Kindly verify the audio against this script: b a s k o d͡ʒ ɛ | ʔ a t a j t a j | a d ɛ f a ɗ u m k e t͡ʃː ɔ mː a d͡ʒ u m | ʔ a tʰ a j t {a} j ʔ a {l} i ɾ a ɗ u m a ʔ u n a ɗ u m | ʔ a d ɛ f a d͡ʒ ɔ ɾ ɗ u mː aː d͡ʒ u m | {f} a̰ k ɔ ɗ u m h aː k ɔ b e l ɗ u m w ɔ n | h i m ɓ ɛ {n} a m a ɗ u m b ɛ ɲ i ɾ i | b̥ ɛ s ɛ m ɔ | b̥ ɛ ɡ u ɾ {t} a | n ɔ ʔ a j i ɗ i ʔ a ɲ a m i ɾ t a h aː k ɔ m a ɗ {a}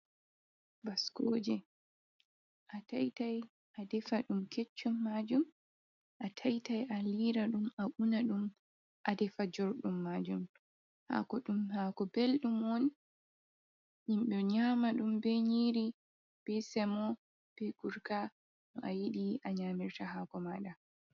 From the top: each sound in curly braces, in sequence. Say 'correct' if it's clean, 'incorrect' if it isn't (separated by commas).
correct, correct, incorrect, incorrect, incorrect, correct